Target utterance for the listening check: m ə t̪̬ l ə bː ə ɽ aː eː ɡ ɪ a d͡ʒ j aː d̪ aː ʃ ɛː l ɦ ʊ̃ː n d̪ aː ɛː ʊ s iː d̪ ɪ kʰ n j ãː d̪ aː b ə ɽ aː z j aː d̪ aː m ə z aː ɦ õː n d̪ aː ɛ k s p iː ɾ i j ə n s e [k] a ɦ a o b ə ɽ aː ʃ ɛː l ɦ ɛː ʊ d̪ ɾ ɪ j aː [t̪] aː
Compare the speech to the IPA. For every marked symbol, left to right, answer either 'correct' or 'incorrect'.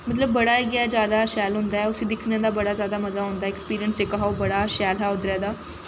correct, incorrect

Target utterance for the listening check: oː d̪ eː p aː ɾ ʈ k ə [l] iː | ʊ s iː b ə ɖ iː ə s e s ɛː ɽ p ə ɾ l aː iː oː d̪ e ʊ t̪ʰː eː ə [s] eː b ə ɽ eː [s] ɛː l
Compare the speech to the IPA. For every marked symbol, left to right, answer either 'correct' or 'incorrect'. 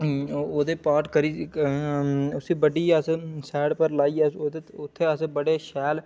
incorrect, correct, incorrect

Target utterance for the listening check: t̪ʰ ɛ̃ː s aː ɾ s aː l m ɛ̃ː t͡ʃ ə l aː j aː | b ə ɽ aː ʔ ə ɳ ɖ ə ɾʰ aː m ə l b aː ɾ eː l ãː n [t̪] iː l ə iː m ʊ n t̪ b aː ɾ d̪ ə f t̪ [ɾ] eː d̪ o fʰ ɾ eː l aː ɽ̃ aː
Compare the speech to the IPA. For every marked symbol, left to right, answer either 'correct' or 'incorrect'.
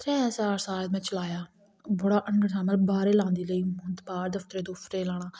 incorrect, correct

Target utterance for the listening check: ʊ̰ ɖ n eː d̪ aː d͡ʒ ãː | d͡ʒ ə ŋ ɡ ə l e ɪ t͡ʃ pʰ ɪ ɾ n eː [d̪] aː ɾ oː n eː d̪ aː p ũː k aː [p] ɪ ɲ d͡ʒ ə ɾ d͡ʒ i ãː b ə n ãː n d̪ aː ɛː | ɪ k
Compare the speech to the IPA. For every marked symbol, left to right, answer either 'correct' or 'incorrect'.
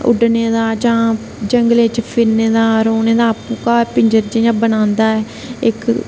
correct, correct

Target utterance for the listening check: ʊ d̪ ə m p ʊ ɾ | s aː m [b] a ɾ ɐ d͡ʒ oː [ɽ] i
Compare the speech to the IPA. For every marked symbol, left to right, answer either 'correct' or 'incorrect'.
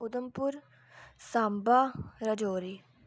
correct, incorrect

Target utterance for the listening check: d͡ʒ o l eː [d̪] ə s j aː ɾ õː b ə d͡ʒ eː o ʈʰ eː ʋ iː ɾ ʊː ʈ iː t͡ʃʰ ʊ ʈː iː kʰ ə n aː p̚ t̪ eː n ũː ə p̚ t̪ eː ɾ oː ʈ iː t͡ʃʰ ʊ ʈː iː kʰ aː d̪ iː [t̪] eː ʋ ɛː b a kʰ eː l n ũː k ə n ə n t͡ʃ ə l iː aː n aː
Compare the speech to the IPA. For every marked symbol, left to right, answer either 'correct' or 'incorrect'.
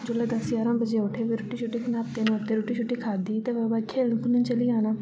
correct, correct

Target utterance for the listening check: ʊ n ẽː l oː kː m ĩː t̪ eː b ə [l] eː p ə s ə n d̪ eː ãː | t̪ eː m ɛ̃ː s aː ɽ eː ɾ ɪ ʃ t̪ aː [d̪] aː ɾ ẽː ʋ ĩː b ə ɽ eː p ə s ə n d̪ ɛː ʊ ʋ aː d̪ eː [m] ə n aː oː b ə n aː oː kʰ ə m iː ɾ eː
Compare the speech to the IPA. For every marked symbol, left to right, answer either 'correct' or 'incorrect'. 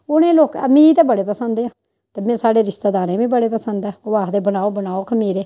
incorrect, correct, incorrect

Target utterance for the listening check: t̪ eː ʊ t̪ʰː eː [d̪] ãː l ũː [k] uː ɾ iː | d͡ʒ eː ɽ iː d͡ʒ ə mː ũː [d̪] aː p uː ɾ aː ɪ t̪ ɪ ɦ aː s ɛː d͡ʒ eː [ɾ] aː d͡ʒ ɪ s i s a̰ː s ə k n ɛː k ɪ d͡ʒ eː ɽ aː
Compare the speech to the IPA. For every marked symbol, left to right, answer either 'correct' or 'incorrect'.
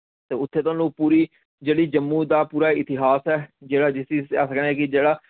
incorrect, incorrect, correct, incorrect

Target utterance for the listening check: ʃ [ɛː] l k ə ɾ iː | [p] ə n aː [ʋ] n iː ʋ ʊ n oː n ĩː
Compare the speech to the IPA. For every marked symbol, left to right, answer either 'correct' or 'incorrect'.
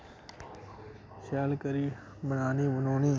incorrect, incorrect, incorrect

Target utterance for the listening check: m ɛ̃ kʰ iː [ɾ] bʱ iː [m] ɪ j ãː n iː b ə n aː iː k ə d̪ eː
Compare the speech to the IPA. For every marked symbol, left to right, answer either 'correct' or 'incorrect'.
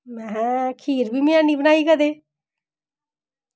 correct, correct

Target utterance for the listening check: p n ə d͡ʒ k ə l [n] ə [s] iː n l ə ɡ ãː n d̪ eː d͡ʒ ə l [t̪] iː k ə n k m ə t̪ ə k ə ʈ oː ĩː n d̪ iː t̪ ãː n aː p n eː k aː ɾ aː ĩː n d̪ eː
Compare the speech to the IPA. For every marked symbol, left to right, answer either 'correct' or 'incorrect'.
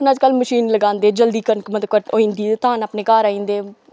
incorrect, incorrect, incorrect

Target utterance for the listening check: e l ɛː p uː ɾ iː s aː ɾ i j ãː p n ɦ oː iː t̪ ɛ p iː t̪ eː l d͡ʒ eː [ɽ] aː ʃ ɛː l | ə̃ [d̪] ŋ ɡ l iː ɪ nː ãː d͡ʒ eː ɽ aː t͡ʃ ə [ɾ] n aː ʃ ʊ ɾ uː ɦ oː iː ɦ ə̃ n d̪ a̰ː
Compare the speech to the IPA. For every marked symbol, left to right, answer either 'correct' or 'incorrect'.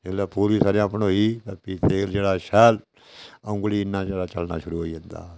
correct, incorrect, incorrect

